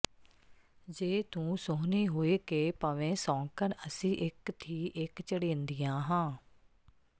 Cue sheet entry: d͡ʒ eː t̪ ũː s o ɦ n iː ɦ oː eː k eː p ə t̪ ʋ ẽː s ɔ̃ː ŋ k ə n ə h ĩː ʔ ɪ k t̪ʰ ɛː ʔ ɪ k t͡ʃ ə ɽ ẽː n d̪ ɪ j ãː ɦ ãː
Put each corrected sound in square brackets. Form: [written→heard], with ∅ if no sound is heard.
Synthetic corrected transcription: d͡ʒ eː t̪ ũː s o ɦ n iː ɦ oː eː k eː p ə [t̪→∅] ʋ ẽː s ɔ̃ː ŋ k ə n ə [h→s] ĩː ʔ ɪ k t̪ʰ [ɛː→iː] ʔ ɪ k t͡ʃ ə ɽ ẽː n d̪ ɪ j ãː ɦ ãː